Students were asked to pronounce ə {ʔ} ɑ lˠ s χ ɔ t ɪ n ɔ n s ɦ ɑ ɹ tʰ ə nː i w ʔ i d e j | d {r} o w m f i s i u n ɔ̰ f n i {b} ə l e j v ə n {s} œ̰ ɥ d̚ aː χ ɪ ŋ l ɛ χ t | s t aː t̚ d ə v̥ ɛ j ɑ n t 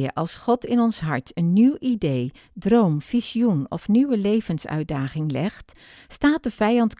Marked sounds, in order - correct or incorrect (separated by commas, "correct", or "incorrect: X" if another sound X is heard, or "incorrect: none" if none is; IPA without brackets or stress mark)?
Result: correct, correct, incorrect: w, correct